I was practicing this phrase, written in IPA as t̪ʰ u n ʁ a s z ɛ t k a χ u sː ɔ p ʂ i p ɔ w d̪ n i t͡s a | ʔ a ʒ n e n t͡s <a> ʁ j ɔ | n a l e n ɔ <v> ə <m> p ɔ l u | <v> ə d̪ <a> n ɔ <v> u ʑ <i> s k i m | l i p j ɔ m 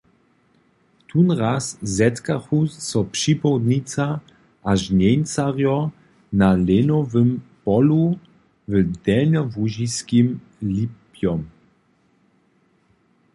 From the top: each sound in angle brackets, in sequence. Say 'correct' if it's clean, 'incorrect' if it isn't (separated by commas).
correct, correct, correct, correct, incorrect, correct, correct